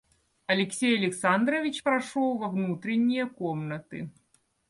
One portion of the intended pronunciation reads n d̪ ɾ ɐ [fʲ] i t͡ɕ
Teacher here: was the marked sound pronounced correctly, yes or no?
no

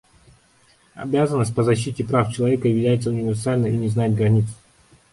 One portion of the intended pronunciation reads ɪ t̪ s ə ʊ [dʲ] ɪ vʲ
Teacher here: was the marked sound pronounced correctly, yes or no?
no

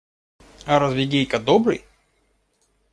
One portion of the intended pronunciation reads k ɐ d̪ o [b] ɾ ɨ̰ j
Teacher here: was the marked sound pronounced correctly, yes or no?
yes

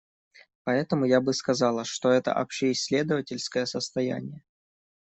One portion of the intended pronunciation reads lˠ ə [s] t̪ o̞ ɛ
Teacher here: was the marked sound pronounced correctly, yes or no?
no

